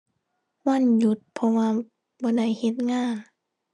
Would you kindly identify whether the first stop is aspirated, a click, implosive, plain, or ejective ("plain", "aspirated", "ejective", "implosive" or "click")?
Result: plain